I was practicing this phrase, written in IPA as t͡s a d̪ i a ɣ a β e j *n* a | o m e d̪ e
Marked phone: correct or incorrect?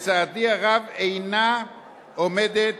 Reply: correct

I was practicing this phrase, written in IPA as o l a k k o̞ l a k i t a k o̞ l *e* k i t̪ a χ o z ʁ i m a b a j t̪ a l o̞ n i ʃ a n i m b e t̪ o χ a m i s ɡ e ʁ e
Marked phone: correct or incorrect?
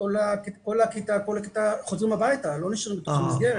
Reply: incorrect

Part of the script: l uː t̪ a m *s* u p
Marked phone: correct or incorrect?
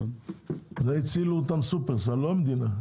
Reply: correct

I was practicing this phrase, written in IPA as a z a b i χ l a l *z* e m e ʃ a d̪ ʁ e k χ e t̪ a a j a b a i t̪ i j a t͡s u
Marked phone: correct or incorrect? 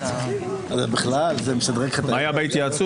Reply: correct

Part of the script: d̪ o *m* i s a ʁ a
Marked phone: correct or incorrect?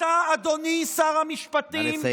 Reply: incorrect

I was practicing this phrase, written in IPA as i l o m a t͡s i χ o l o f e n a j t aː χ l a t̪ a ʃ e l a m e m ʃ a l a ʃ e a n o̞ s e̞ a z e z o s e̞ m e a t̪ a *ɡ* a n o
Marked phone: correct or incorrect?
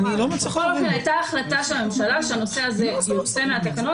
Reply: incorrect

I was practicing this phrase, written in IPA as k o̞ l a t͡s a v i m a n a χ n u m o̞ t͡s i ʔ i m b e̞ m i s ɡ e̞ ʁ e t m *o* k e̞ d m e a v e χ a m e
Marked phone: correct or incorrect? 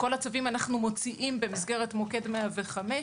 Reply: correct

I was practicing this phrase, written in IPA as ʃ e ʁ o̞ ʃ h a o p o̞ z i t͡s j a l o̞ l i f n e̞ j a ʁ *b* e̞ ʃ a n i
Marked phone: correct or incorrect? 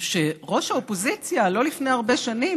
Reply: correct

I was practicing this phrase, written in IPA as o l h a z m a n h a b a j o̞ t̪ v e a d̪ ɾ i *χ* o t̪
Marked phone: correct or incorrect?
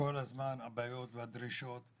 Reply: incorrect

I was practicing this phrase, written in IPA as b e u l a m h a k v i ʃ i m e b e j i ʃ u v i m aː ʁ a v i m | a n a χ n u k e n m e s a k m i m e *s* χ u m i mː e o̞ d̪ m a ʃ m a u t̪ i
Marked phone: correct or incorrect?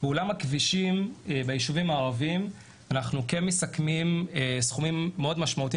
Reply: correct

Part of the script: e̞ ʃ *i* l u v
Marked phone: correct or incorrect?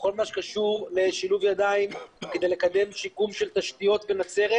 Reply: correct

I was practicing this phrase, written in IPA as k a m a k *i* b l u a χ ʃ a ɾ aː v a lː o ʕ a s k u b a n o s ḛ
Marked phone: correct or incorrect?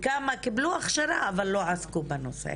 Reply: correct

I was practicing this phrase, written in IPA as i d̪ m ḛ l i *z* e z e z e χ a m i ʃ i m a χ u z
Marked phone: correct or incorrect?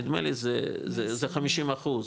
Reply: correct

